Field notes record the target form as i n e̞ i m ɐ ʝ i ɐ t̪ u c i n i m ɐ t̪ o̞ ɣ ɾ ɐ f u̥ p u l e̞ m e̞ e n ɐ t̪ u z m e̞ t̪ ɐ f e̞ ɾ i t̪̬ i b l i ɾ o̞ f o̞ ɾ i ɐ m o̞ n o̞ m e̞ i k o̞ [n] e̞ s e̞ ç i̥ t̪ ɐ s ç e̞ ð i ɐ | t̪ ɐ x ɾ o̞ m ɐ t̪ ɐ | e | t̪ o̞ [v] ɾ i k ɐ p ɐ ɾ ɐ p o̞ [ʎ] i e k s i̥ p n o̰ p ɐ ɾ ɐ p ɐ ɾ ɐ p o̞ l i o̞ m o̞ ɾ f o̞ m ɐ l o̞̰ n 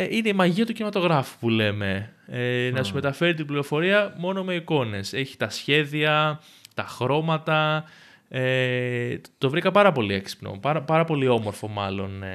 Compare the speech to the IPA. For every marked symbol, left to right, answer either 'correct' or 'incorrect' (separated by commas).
correct, correct, incorrect